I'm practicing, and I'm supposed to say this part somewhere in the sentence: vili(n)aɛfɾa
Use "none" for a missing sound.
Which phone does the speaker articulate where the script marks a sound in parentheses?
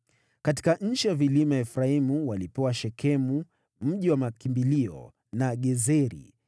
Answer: m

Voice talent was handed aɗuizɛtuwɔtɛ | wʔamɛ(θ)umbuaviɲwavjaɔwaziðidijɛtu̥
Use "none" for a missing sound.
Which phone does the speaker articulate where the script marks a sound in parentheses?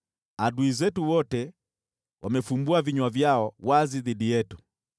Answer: f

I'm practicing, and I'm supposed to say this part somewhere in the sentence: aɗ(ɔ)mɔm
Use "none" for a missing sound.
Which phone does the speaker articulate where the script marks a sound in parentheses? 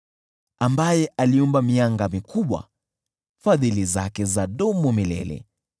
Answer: ɔ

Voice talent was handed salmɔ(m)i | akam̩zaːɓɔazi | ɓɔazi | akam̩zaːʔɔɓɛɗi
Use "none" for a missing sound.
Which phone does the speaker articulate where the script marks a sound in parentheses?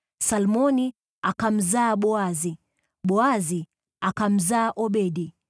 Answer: n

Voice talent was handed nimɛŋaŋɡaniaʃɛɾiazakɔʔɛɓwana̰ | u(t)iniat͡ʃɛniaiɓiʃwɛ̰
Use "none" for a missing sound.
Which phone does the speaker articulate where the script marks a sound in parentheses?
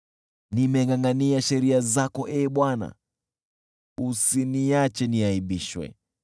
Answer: s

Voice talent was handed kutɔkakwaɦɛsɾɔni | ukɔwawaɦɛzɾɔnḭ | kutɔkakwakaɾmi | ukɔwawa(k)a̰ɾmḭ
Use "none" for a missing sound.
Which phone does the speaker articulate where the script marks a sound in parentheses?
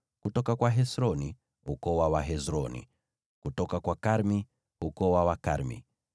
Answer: k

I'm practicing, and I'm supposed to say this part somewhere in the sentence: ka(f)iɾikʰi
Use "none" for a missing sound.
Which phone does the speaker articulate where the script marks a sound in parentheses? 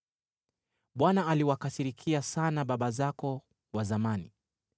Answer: s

